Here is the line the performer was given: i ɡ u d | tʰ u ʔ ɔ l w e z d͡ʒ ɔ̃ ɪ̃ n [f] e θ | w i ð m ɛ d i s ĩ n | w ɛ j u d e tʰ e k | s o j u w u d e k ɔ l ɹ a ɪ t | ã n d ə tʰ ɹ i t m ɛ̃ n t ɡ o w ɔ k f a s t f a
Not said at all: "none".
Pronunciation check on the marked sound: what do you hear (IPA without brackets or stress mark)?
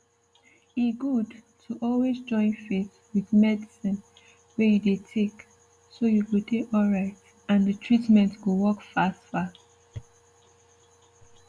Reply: f